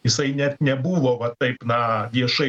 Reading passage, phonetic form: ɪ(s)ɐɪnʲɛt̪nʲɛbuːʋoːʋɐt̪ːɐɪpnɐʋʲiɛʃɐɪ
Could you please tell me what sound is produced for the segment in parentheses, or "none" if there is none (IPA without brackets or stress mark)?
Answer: s